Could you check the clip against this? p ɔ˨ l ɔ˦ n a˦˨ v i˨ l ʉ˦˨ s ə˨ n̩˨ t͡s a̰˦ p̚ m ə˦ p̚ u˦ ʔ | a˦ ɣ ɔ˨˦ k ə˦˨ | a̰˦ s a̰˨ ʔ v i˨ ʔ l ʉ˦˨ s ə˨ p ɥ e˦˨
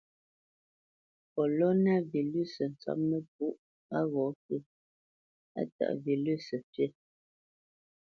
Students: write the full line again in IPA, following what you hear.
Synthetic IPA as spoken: p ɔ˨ l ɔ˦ n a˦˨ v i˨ l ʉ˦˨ s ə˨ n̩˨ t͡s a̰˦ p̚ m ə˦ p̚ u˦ ʔ | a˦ ɣ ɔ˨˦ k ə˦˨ | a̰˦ t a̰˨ ʔ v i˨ l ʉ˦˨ s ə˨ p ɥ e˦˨